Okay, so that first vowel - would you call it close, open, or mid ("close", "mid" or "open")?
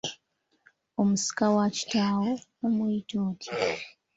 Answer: mid